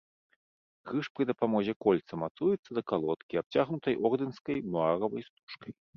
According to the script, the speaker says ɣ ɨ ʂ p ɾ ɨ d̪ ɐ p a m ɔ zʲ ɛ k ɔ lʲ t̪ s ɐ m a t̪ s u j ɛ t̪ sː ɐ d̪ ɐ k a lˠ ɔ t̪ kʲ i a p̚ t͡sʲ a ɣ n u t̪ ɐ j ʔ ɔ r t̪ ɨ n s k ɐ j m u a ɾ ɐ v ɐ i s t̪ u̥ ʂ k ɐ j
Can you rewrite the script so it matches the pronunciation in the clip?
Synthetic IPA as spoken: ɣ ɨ ʂ p ɾ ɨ d̪ ɐ p a m ɔ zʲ ɛ k ɔ lʲ t̪ s ɐ m a t̪ s u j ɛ t̪ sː ɐ d̪ ɐ k a lˠ ɔ t̪ kʲ i a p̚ t͡sʲ a ɣ n u t̪ ɐ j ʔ ɔ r d̪ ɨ n s k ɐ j m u a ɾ ɐ v ɐ j s t̪ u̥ ʂ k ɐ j

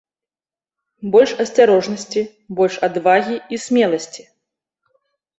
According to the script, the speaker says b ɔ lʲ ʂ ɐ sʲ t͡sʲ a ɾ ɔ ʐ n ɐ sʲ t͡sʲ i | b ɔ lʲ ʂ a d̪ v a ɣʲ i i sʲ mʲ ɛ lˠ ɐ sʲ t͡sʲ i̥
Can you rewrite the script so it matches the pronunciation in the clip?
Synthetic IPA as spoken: b ɔ lʲ ʂ ɐ sʲ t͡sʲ a ɾ ɔ ʐ n ɐ sʲ t͡sʲ i | b ɔ lʲ ʂ a d̪ v a ɣʲ i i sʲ mʲ ɛ lˠ ɐ sʲ t͡sʲ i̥

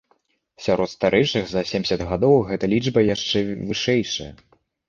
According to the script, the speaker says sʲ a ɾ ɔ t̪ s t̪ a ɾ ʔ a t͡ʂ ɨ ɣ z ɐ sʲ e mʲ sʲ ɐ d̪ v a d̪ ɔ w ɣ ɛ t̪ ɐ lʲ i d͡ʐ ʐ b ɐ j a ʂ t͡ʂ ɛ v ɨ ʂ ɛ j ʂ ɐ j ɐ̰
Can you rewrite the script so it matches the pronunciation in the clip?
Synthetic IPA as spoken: sʲ a ɾ ɔ t̪ s t̪ a ɾ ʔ ɛ t͡ʂ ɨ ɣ z ɐ sʲ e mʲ sʲ ɐ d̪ ɣ a d̪ ɔ w ɣ ɛ t̪ ɐ lʲ i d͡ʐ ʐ b ɐ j a ʂ t͡ʂ ɛ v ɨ ʂ ɛ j ʂ ɐ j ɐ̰

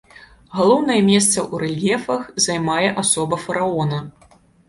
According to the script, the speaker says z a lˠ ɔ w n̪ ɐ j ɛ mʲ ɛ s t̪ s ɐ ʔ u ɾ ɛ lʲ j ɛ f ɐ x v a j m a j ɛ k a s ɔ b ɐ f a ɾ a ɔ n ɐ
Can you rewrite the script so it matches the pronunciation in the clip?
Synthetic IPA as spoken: ɣ a lˠ ɔ w n̪ ɐ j ɛ mʲ ɛ s t̪ s ɐ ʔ u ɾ ɛ lʲ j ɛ f ɐ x z a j m a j ɛ ʔ a s ɔ b ɐ f ɐ ɾ a ɔ n ɐ

